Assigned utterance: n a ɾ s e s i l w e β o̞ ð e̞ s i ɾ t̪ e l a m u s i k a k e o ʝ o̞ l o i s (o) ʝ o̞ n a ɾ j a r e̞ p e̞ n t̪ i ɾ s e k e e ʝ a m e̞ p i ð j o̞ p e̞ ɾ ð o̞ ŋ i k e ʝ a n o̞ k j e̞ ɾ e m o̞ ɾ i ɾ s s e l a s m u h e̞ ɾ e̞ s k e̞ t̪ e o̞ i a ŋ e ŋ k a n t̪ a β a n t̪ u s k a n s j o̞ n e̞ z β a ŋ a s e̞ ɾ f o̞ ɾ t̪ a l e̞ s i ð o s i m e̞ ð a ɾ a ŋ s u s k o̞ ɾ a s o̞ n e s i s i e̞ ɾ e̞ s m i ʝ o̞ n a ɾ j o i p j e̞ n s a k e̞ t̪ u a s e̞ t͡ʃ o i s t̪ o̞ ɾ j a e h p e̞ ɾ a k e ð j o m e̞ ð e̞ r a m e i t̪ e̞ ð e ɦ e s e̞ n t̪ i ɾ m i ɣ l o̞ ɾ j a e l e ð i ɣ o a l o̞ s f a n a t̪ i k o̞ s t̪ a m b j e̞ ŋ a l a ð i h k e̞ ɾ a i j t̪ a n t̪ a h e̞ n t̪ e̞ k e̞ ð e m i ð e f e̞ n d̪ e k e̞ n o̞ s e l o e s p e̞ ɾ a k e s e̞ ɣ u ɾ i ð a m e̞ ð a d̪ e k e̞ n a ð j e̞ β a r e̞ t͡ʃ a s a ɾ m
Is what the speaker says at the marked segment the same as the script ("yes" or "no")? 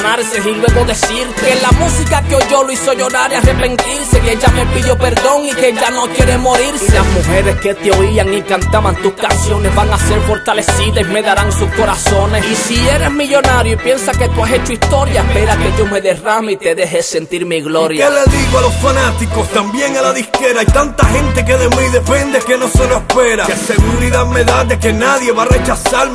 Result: yes